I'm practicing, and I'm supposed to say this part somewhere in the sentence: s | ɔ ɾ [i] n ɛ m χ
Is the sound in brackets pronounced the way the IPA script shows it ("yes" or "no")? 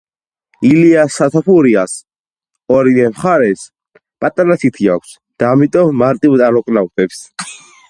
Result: yes